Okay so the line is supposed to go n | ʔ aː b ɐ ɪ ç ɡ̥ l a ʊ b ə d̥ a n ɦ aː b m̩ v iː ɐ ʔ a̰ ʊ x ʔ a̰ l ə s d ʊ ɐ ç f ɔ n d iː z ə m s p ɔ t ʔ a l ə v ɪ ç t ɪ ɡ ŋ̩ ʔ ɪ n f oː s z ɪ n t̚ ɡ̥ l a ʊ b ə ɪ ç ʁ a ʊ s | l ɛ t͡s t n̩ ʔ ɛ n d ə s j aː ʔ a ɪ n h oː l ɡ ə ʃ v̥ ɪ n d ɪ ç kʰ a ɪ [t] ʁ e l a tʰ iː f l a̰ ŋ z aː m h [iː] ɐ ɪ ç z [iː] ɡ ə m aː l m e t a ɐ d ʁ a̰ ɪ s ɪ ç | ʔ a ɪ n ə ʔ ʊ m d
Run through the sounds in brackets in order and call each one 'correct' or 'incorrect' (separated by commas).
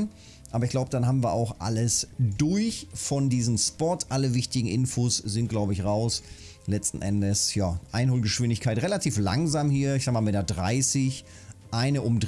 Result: correct, correct, incorrect